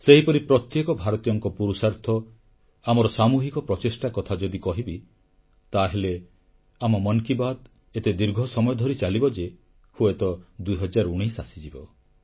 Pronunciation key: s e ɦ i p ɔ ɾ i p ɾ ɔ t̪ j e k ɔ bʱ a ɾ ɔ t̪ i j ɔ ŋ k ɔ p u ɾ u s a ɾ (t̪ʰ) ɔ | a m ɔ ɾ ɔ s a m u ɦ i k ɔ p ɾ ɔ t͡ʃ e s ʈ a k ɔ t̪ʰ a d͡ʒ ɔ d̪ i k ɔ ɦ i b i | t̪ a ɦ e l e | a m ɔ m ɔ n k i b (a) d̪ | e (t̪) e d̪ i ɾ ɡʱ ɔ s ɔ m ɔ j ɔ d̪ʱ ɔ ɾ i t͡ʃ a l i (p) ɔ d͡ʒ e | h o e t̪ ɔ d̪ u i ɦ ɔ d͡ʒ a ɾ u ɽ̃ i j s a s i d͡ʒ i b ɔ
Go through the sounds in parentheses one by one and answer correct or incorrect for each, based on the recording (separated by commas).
correct, correct, correct, incorrect